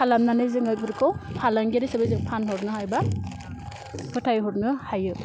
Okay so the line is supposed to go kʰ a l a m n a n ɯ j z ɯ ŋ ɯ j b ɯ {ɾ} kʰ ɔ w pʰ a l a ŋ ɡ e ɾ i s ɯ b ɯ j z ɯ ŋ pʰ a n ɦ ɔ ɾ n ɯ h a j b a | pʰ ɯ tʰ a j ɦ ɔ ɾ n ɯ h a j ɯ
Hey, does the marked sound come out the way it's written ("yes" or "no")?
yes